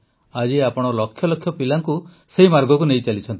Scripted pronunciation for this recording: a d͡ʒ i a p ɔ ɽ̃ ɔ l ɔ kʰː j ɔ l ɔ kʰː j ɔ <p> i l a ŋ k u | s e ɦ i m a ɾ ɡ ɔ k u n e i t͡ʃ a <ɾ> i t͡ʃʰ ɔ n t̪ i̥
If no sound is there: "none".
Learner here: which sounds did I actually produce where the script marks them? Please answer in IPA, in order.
p, l

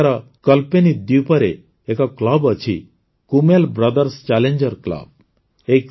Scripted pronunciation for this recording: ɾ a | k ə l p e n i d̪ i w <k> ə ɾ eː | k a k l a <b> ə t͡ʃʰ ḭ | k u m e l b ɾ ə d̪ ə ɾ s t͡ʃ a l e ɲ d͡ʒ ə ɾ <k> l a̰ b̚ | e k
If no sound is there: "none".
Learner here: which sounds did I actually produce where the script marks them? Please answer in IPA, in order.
p, b, k

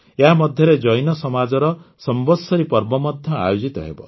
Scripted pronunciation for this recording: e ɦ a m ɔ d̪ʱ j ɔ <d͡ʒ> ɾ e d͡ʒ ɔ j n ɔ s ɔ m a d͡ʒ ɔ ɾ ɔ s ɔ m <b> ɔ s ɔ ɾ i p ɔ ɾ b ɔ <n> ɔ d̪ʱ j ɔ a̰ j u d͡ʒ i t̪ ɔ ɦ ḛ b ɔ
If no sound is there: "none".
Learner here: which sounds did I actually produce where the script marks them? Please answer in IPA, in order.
none, b, m

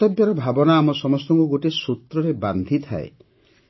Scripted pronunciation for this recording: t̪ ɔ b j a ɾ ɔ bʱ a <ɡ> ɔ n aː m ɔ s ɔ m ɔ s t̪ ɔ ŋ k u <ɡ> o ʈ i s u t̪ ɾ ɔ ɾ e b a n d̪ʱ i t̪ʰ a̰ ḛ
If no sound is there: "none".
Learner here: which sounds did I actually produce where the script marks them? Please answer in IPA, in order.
b, ɡ

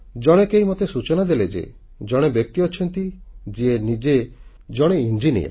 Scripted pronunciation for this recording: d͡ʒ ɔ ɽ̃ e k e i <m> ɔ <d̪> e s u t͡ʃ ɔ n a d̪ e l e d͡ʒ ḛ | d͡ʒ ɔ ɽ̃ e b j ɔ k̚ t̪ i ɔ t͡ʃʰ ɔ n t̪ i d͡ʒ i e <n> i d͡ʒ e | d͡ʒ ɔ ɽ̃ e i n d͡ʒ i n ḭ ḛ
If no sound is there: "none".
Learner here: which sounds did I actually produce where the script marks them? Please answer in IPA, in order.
m, t̪, n

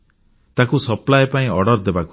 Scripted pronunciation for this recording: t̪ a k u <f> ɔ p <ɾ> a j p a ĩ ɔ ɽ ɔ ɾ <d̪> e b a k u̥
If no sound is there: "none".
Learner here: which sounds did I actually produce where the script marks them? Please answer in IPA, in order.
s, l, d̪

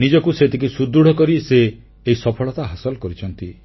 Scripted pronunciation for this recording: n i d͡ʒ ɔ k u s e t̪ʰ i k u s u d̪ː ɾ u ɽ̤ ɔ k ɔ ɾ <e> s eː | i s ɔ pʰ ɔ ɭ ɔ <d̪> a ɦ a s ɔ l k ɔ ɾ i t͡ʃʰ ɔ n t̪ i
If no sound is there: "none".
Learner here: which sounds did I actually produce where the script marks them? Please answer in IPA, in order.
i, t̪

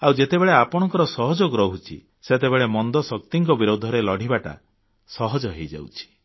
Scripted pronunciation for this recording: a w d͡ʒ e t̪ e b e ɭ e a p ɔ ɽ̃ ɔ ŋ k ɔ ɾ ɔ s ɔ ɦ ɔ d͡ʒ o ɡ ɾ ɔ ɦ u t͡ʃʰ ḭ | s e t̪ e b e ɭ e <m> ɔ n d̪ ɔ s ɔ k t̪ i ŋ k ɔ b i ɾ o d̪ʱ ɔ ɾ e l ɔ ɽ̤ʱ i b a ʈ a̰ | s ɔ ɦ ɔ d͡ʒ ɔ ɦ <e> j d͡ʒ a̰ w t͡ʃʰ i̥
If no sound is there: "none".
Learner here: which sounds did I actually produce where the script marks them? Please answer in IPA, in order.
m, e

